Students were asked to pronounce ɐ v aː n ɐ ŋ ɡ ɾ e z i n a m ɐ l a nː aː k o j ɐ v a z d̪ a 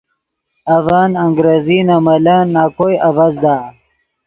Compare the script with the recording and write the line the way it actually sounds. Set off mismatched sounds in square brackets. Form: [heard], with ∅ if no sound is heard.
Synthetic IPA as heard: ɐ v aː n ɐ ŋ ɡ ɾ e z i n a m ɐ l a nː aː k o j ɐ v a z d̪ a

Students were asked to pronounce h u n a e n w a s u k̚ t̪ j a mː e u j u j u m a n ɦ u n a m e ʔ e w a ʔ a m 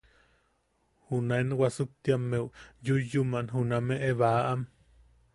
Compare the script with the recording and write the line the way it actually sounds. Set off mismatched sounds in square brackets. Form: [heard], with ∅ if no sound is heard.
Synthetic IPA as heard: h u n a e n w a s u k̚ t̪ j a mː e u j u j u m a n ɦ u n a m e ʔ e [β] a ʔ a m

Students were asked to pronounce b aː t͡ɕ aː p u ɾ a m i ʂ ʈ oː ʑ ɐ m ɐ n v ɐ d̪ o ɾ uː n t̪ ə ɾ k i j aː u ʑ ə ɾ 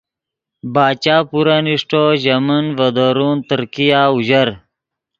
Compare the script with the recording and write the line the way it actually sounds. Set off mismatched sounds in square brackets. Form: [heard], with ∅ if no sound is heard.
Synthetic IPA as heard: b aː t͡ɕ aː p u ɾ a [n] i ʂ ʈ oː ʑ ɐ m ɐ n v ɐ d̪ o ɾ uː n t̪ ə ɾ k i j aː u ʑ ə ɾ

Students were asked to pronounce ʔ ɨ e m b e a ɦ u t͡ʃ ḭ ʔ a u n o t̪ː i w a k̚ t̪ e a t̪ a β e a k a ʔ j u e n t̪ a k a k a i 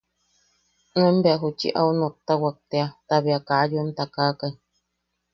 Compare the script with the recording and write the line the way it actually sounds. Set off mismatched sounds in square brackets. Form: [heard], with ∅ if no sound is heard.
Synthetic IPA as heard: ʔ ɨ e m b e a ɦ u t͡ʃ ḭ ʔ a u n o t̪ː [a] w a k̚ t̪ e a t̪ a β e a k a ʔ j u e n t̪ a k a k a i

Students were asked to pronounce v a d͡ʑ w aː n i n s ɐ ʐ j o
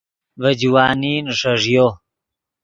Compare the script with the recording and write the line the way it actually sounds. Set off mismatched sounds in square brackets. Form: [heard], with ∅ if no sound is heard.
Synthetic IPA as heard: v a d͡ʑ w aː n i n [ʂ] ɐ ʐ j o

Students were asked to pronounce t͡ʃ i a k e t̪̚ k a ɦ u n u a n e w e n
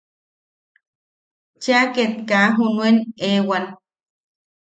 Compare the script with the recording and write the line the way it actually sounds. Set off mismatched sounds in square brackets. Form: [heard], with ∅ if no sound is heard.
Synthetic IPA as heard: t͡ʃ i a k e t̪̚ k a ɦ u n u [e] n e w [a] n

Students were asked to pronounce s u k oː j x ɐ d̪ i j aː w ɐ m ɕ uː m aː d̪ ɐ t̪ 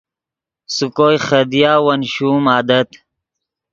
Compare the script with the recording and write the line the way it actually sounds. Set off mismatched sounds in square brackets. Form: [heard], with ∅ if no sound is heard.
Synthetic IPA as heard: s u k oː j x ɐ d̪ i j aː w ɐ [n] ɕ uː m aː d̪ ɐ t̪

